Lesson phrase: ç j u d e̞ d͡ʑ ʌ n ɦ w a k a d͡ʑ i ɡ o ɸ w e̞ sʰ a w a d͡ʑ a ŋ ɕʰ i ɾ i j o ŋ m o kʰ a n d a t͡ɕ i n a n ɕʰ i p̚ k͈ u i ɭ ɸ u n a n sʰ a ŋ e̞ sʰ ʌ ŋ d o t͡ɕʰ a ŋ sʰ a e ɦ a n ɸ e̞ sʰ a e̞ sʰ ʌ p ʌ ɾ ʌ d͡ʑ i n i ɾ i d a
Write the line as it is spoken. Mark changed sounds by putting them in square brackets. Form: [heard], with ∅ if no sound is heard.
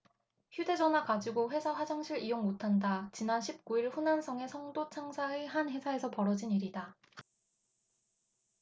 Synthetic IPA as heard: ç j u d e̞ d͡ʑ ʌ n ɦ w a k a d͡ʑ i ɡ o ɸ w e̞ sʰ a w a d͡ʑ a ŋ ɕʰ i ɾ i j o ŋ m o [tʰ] a n d a t͡ɕ i n a n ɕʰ i p̚ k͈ u i ɭ ɸ u n a n sʰ [ʌ] ŋ e̞ sʰ ʌ ŋ d o t͡ɕʰ a ŋ sʰ a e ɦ a n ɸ e̞ sʰ a e̞ sʰ ʌ p ʌ ɾ ʌ d͡ʑ i n i ɾ i d a